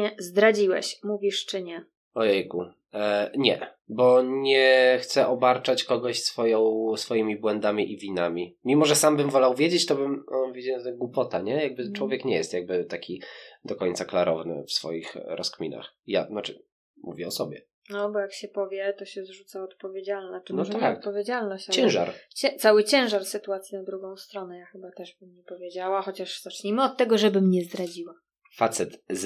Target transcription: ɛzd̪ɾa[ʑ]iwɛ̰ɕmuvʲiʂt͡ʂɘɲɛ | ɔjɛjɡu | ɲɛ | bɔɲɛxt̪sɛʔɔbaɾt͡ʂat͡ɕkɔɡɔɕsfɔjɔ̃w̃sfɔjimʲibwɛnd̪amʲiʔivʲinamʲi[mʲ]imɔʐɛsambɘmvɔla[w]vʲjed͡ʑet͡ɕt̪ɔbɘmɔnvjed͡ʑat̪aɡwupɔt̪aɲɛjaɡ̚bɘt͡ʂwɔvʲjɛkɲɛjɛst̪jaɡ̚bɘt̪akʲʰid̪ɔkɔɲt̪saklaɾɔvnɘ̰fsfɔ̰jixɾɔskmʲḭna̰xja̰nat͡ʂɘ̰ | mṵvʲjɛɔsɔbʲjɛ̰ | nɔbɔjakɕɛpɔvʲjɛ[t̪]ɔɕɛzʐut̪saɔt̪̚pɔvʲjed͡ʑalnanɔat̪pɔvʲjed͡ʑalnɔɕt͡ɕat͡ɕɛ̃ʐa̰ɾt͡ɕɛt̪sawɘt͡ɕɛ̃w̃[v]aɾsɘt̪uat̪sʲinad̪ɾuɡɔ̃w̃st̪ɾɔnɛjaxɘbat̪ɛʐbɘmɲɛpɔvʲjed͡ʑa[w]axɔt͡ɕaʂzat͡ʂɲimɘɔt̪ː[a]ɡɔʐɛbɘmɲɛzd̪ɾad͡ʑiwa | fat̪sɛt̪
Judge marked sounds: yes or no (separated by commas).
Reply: no, yes, yes, yes, no, yes, no